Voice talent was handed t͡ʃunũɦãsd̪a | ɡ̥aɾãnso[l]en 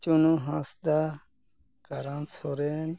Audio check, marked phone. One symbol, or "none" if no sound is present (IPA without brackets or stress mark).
ɾ